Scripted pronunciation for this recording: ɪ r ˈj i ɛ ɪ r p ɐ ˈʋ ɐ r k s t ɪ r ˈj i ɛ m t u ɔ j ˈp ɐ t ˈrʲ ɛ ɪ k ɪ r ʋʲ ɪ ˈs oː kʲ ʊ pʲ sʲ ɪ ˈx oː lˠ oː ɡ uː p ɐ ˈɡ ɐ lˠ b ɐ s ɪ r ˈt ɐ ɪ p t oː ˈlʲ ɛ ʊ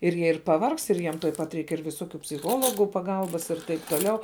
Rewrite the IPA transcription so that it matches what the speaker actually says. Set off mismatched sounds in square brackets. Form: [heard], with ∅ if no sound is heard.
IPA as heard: ɪ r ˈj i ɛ ɪ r p ɐ ˈʋ ɐ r k s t ɪ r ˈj i ɛ m t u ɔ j ˈp ɐ t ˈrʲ ɛ ɪ k ɪ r ʋʲ ɪ ˈs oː kʲ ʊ pʲ sʲ ɪ ˈx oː lˠ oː ɡ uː p ɐ ˈɡ ɐ lˠ b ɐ s ɪ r ˈt ɐ ɪ p t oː ˈlʲ ɛ ʊ